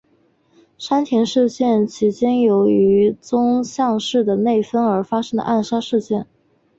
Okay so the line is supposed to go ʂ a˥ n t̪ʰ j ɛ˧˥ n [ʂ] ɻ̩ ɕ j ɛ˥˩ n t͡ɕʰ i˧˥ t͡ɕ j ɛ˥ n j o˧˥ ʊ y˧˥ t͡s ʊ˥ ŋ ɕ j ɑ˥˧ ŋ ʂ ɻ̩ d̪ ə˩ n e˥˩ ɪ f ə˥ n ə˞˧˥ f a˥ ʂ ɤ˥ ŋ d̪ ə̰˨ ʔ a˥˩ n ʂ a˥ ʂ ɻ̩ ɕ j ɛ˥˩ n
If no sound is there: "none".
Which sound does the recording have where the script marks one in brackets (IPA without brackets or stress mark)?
ʂ